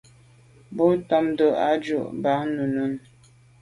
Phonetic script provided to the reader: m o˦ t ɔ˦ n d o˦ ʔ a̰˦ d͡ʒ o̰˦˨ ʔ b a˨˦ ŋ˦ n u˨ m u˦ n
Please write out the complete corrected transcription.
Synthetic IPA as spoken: b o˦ t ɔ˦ m d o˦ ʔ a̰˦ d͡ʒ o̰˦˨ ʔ b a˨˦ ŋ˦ n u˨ n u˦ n

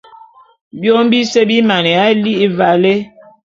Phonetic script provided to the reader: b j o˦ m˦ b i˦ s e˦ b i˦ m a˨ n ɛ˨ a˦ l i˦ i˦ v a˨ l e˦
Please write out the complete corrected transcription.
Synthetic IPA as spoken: b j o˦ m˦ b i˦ s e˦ b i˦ m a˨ n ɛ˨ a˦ l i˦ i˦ v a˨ l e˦

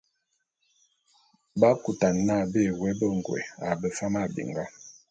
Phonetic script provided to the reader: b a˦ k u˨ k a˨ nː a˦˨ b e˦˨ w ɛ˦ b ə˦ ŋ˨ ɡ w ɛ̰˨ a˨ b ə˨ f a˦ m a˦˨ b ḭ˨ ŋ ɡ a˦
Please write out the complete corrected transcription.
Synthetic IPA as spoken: b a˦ k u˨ t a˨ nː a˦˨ b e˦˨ w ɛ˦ b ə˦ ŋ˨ ɡ w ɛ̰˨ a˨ b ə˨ f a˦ m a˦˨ b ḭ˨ ŋ ɡ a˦

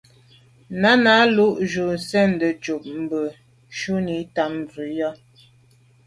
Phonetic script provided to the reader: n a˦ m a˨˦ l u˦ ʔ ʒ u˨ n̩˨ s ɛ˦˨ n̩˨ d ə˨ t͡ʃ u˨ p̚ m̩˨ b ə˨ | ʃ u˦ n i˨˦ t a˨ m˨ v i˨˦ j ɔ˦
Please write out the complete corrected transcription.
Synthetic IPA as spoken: n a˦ n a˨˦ l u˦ ʔ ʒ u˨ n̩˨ s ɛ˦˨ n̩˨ d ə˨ t͡ʃ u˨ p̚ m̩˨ b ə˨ | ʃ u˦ n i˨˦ t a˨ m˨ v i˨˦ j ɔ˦

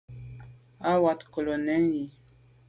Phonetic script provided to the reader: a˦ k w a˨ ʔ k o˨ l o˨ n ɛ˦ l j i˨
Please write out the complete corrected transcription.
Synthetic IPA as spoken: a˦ w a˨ t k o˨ l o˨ n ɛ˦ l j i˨

